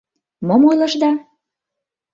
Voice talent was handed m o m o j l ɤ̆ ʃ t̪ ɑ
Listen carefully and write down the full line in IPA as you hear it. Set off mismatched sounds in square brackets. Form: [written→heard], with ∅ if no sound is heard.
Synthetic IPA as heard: m o m o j l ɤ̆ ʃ [t̪→d̪] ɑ